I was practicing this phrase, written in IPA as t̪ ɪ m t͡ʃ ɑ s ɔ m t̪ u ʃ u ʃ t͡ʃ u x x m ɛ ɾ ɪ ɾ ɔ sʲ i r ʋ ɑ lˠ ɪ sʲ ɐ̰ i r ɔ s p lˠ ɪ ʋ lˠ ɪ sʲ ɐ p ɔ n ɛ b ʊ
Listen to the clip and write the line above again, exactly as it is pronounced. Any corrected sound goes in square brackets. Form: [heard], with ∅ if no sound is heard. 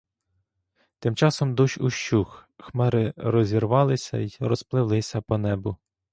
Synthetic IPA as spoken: t̪ ɪ m t͡ʃ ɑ s ɔ m [d̪] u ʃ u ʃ t͡ʃ u x x m ɛ ɾ ɪ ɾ ɔ [zʲ] i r ʋ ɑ lˠ ɪ sʲ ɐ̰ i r ɔ s p lˠ ɪ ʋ lˠ ɪ sʲ ɐ p ɔ n ɛ b ʊ